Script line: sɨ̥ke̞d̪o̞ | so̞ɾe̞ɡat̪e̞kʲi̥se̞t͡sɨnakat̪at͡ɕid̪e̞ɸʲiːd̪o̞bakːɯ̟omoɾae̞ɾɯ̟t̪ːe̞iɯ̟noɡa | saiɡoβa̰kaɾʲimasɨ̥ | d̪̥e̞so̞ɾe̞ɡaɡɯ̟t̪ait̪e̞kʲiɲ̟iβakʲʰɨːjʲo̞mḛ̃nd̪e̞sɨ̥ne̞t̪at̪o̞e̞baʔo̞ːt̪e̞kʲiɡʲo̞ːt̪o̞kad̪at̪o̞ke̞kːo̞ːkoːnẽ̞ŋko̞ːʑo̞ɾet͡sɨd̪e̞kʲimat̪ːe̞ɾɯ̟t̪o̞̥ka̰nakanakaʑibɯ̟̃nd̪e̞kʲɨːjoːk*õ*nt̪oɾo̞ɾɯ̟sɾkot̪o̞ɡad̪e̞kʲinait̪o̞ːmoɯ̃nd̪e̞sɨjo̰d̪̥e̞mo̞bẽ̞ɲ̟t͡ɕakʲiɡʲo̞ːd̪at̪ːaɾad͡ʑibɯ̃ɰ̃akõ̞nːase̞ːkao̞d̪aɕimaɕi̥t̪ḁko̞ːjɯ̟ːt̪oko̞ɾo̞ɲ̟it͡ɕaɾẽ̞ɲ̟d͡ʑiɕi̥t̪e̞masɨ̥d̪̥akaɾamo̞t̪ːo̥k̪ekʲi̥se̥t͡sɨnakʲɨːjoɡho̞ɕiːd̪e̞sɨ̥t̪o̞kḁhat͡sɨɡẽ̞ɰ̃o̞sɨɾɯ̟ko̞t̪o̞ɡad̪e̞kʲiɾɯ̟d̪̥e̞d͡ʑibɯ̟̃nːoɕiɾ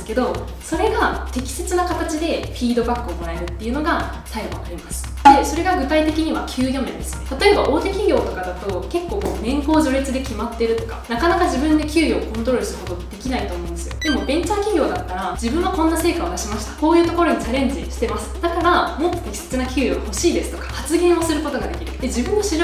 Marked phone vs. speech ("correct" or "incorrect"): correct